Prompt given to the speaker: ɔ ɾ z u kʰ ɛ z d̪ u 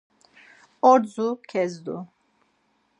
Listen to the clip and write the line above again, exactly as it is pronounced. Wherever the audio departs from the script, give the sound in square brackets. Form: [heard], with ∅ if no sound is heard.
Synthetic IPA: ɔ ɾ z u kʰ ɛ z d̪ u